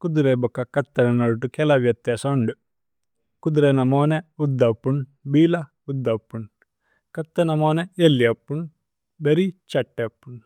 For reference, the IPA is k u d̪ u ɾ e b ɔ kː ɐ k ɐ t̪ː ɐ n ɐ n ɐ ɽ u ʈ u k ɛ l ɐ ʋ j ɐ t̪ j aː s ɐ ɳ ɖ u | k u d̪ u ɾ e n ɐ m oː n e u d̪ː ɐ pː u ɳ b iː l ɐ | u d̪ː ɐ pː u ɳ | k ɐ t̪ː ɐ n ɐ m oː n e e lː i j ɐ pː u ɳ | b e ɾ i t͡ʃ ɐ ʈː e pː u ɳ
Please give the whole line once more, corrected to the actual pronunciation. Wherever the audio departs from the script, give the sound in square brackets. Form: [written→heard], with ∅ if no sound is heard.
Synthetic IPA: k u d̪ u ɾ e b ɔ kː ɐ k ɐ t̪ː ɐ n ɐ n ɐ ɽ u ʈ u k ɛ l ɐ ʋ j ɐ t̪ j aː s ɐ ɳ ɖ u | k u d̪ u ɾ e n ɐ m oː n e u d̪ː ɐ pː u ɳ b iː l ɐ | u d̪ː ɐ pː u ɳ | k ɐ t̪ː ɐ n ɐ m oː n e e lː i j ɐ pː u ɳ | b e ɾ i t͡ʃ ɐ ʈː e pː u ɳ